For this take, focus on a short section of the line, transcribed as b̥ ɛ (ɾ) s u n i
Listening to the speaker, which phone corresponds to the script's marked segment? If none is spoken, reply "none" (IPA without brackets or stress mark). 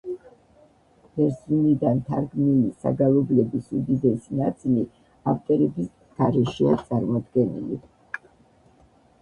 ɾ